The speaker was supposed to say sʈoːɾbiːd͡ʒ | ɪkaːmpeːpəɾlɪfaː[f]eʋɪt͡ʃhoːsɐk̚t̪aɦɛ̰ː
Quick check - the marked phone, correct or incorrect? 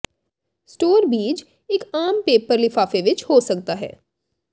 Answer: correct